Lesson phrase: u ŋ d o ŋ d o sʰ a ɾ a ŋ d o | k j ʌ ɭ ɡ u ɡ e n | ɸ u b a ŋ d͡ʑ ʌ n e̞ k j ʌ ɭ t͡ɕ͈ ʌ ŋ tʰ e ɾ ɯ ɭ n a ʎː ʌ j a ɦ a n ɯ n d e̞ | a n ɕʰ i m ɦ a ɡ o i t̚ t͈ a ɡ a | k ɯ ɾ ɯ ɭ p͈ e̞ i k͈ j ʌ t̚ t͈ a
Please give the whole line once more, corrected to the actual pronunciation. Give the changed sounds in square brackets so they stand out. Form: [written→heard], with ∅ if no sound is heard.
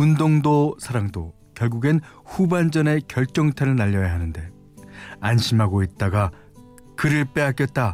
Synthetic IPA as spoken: u [ŋ→n] d o ŋ d o sʰ a ɾ a ŋ d o | k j ʌ ɭ ɡ u ɡ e n | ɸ u b a [ŋ→n] d͡ʑ ʌ n e̞ k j ʌ ɭ t͡ɕ͈ ʌ ŋ tʰ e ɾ ɯ ɭ n a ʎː ʌ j a ɦ a n ɯ n d e̞ | a n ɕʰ i m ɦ a ɡ o i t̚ t͈ a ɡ a | k ɯ ɾ ɯ ɭ p͈ e̞ [i→a] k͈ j ʌ t̚ t͈ a